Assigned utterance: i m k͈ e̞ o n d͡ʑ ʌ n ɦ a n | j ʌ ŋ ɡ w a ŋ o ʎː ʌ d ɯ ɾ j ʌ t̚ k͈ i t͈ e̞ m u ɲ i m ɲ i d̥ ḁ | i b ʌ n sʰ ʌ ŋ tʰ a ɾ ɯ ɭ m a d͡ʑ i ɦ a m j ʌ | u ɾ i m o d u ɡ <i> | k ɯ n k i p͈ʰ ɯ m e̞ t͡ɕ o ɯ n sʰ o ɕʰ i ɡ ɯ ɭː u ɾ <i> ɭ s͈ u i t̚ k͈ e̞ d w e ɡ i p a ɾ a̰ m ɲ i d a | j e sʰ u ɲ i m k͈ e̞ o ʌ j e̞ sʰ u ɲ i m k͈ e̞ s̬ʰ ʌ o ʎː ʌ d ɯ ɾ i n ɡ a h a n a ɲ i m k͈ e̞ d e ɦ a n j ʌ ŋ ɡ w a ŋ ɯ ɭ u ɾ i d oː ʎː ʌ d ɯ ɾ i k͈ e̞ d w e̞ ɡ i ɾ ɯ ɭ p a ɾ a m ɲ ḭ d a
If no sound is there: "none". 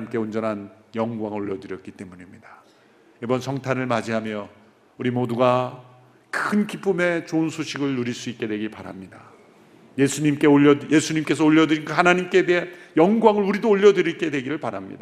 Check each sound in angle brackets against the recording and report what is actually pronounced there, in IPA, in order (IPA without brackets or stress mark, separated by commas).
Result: a, i